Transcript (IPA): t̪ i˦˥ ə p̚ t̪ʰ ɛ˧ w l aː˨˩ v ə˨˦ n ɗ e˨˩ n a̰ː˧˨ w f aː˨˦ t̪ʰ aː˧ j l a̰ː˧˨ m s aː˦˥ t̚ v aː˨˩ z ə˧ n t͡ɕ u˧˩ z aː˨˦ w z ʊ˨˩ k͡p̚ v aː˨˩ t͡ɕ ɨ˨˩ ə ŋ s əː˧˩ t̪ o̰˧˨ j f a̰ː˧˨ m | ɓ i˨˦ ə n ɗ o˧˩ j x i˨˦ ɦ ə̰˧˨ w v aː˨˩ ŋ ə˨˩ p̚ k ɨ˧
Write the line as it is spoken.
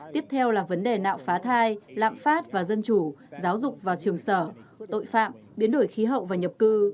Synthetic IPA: t̪ i˦˥ ə p̚ t̪ʰ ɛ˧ w l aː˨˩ v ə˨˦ n ɗ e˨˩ n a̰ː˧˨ w f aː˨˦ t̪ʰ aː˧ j l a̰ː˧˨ m f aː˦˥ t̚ v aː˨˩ z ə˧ n t͡ɕ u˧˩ z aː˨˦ w z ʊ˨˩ k͡p̚ v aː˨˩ t͡ɕ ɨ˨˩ ə ŋ s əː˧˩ t̪ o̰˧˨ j f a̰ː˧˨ m | ɓ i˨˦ ə n ɗ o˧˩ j x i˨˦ ɦ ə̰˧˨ w v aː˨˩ ɲ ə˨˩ p̚ k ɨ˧